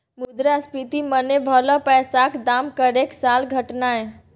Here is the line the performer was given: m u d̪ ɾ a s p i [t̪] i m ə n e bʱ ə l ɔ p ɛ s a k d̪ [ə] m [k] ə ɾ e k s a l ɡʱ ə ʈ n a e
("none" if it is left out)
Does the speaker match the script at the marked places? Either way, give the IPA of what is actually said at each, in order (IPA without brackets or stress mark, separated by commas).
t̪, a, k